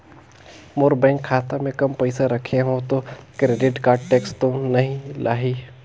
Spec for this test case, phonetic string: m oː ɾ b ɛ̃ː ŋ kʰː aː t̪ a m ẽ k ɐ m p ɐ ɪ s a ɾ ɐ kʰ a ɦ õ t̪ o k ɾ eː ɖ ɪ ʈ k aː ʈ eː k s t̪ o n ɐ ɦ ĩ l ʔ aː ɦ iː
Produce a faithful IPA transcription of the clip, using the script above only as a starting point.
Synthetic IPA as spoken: m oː ɾ b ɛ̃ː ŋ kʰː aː t̪ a m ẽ k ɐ m p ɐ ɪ s a ɾ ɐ kʰ e ɦ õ t̪ o k ɾ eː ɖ ɪ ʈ k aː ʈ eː k s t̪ o n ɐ ɦ ĩ l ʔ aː ɦ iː